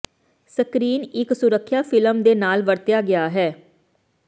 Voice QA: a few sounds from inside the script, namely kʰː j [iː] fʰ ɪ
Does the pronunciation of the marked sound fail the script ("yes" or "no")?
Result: yes